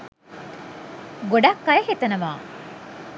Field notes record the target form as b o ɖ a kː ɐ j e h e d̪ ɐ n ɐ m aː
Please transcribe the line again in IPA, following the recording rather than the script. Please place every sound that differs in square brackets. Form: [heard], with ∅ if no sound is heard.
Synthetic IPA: [ɡ] o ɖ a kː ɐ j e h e [t̪] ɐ n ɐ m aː